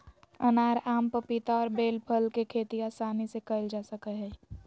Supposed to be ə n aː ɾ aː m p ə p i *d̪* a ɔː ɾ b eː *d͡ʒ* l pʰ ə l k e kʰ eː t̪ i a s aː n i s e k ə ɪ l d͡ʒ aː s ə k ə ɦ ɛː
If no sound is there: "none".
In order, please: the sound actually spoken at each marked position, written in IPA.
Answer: t̪, none

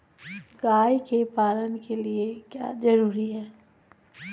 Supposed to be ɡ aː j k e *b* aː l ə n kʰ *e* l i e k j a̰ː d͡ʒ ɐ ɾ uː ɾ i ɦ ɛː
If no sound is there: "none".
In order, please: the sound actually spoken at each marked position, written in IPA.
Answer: p, e

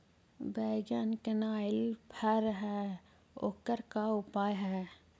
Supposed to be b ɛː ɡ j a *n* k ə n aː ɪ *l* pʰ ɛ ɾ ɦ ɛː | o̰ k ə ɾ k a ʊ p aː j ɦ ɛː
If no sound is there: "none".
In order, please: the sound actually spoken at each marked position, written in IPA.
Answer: n, l

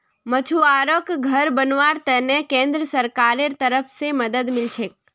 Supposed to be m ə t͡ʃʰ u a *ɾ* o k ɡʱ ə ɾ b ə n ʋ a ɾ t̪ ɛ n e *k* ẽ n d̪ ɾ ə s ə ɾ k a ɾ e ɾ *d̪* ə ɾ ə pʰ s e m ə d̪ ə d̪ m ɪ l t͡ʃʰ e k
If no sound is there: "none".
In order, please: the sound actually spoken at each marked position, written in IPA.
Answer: ɾ, k, t̪

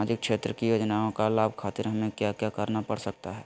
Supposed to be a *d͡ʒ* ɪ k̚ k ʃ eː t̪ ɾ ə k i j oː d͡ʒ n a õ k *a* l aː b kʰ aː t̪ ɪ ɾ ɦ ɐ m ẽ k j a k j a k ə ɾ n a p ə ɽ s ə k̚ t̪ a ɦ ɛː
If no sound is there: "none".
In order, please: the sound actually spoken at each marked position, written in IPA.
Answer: d͡ʒ, a

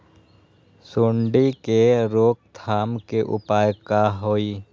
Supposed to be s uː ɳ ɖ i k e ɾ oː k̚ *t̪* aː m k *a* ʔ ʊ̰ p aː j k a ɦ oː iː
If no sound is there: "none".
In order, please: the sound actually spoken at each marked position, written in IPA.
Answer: t̪ʰ, e

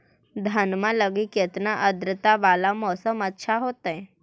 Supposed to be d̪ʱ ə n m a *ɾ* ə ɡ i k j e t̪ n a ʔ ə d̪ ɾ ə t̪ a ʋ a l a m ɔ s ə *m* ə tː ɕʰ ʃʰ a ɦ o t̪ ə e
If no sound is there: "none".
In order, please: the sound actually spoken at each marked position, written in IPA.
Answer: l, m

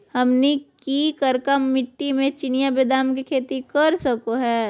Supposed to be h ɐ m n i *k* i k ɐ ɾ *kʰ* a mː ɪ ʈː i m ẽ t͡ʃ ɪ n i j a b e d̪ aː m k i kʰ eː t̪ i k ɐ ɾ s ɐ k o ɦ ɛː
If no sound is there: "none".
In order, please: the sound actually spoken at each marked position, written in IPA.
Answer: k, k

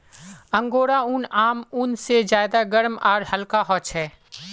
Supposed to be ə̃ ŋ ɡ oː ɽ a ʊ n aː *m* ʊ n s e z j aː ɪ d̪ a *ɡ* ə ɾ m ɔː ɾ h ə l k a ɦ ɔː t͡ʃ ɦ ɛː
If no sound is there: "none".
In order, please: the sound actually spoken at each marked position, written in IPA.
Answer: m, ɡ

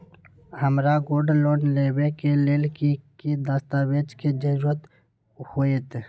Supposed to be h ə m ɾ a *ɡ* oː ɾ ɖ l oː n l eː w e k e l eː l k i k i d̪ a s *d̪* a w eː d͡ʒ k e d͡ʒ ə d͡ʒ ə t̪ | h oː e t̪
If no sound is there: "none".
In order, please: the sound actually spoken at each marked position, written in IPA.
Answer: ɡ, t̪

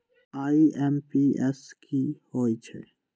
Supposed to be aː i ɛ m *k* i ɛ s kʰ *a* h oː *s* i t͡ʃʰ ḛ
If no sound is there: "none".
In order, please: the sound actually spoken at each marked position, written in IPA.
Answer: p, i, none

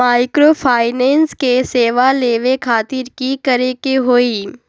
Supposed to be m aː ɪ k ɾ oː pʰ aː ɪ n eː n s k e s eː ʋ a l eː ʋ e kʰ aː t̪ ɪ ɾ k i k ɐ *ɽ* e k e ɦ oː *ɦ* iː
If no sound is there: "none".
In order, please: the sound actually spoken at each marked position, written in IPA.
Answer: ɾ, none

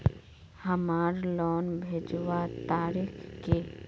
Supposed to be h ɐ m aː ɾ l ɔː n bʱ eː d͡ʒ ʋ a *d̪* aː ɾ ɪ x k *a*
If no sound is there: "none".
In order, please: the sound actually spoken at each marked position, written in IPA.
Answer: t̪, e

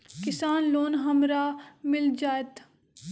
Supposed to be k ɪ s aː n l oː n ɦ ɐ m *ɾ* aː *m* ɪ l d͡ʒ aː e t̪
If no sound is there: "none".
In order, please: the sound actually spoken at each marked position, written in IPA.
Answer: ɾ, m

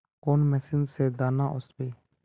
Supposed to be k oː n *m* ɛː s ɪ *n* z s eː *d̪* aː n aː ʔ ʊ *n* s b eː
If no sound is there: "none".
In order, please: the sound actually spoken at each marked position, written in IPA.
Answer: m, n, d̪, none

